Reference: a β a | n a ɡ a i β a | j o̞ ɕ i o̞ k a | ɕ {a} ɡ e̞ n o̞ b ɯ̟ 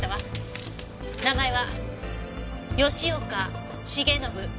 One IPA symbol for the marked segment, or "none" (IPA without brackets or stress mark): i